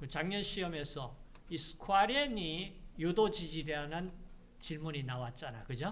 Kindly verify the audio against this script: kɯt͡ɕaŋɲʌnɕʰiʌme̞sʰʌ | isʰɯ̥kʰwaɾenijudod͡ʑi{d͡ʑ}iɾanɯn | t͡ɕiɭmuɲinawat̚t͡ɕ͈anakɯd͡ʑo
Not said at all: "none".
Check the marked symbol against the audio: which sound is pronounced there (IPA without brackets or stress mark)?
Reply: d͡ʑ